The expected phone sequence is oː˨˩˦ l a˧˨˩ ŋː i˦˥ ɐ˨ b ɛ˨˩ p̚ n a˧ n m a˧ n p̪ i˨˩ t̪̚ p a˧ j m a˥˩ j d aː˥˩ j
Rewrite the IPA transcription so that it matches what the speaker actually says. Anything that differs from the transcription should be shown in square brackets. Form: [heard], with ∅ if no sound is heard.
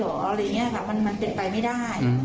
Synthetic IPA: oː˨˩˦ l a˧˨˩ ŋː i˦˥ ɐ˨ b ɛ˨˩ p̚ [m] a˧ n m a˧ n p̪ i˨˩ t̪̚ p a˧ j m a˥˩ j d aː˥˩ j